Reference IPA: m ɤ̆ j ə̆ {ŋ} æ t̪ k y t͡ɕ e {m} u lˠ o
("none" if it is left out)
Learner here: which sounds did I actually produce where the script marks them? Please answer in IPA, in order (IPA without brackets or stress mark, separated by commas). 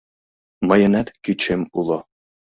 n, m